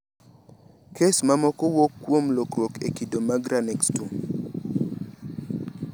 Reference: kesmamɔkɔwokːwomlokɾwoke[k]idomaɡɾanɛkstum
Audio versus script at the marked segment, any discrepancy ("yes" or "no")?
no